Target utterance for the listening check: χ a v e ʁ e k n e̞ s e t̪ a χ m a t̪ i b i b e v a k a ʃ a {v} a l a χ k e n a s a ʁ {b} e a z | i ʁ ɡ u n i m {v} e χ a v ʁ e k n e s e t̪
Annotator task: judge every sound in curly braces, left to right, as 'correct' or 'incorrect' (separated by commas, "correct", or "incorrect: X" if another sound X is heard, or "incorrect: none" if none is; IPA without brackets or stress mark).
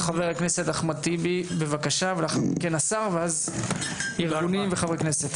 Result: correct, incorrect: v, correct